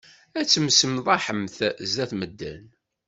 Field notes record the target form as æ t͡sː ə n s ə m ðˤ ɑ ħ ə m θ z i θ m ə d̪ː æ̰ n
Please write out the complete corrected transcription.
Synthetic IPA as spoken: æ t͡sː ə m s ə m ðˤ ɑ ħ ə m θ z æ θ m ə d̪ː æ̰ n

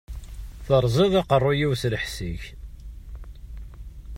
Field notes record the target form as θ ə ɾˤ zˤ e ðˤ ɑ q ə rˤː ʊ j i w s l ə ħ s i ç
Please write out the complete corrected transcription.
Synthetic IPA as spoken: θ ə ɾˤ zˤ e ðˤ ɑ q ə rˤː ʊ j i w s l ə ħ s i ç

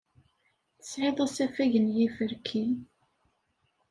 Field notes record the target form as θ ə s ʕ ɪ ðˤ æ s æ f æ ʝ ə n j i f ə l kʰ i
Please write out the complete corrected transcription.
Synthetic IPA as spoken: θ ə s ʕ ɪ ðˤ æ s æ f æ ʝ ə n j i f ə ɾ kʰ i

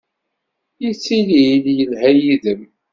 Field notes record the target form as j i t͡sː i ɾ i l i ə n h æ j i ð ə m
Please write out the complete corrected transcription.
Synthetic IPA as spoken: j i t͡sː i l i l j ə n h æ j i ð ə m

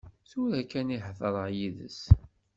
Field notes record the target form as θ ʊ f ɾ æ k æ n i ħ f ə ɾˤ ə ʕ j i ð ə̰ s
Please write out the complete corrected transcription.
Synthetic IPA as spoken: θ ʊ ɾ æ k æ n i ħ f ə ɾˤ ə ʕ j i ð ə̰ s

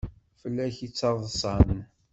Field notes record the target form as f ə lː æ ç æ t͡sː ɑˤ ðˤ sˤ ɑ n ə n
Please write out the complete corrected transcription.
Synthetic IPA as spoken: f ə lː æ ç i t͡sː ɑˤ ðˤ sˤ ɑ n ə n

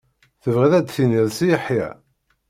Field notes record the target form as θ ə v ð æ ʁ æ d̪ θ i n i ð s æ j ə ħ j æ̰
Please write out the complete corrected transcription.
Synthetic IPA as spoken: θ ə v ʁ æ ð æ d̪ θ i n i ð s i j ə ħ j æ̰

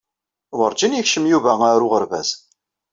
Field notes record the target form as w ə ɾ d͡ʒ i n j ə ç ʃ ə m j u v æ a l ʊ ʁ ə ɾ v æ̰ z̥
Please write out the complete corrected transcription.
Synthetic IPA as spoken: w ə ɾ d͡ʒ i n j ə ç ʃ ə m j u v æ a ɾ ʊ ʁ ə ɾ v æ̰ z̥

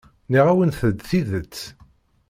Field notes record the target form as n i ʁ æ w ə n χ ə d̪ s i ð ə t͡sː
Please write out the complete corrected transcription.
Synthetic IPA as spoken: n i ʁ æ w ə n θ ə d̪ θ i ð ə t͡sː

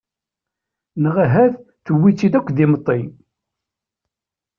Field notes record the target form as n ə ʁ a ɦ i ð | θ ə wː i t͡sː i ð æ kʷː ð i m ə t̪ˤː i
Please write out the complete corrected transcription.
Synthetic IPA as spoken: n ə ʁ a ɦ æ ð | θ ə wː i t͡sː i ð æ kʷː ð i m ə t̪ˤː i

